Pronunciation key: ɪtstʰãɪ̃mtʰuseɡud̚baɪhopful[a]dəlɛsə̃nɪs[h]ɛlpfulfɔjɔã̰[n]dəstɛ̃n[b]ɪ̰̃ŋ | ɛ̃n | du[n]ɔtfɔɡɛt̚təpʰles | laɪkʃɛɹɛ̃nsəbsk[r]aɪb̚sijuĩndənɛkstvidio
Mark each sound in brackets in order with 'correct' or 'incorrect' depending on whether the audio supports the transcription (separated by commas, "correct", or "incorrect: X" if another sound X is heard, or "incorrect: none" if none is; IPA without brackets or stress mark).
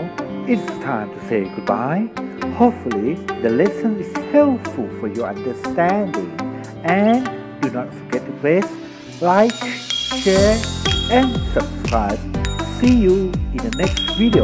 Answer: incorrect: i, correct, correct, incorrect: d, correct, incorrect: ɹ